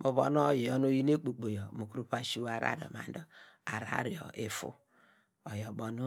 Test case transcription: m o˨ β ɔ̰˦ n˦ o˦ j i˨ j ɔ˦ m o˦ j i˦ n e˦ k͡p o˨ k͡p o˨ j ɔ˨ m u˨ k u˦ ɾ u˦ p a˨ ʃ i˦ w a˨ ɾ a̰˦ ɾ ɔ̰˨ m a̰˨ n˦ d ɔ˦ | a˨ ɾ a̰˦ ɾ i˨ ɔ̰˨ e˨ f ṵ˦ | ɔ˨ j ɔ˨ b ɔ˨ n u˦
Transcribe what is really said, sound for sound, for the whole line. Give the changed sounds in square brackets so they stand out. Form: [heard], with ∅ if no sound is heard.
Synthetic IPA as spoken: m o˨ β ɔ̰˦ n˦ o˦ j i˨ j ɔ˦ [n] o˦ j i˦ n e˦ k͡p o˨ k͡p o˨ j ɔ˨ m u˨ k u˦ ɾ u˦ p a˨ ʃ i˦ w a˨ ɾ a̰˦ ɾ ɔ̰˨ m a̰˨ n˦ d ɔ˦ | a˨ ɾ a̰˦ ɾ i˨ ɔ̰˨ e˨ f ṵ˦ | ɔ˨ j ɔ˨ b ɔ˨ n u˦

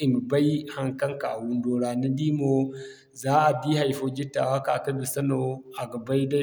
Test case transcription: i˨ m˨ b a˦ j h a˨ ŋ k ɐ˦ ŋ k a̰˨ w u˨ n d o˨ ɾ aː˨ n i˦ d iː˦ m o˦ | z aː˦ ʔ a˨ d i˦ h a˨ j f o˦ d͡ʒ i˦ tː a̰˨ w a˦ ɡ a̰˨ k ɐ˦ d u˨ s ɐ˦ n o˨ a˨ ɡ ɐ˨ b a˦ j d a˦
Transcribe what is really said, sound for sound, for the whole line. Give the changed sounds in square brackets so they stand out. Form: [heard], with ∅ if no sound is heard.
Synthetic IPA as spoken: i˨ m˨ b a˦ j h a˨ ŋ k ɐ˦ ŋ k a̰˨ w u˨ n d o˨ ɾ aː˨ n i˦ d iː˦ m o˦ | z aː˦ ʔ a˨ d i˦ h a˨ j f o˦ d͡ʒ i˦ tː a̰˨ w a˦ [k] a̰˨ k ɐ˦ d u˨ s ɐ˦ n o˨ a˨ ɡ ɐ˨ b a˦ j d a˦

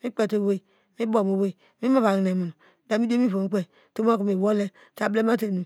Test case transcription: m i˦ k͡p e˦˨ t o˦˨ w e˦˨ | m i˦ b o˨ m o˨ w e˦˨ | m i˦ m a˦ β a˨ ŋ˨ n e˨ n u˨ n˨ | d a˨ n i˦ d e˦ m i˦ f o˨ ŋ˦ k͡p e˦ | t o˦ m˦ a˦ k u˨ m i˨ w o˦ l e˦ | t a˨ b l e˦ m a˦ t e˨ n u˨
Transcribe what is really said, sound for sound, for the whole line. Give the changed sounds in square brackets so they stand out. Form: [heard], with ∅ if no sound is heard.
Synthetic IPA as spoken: m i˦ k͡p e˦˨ t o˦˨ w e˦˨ | m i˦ b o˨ m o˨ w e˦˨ | m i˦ m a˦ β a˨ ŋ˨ n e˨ [m] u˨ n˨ | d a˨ [m] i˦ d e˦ m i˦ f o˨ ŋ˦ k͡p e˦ | t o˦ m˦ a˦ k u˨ m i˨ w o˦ l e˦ | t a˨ b l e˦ m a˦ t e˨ n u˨

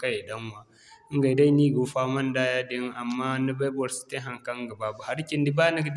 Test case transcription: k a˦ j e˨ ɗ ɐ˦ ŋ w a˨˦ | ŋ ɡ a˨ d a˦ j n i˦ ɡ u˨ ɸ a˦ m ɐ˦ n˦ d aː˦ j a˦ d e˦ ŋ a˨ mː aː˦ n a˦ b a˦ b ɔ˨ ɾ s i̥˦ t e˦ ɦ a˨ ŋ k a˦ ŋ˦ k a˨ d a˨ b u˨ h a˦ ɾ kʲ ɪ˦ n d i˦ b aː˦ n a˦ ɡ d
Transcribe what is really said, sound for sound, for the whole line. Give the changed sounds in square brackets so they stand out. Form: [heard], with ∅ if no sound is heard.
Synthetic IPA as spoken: k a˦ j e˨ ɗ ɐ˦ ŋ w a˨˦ | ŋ ɡ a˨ d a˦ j n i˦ ɡ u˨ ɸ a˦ m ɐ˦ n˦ d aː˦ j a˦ d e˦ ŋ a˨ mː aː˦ n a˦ b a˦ b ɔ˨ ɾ s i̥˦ t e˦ ɦ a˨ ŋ k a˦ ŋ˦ [ɡ] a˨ [b] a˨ b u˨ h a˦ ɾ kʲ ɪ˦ n d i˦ b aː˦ n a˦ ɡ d

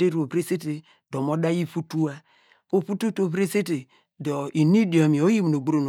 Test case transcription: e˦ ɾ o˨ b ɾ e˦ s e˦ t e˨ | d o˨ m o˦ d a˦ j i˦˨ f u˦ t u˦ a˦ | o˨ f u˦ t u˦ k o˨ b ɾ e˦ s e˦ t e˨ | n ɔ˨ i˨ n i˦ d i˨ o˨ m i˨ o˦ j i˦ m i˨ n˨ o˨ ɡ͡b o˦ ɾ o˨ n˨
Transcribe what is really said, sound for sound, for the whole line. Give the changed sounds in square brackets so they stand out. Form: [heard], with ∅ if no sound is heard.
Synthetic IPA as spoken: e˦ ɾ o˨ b ɾ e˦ s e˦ t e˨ | d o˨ m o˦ d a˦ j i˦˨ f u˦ t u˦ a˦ | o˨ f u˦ t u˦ [t] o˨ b ɾ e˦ s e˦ t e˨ | [d] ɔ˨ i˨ n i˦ d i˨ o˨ m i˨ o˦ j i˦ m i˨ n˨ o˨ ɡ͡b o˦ ɾ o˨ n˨

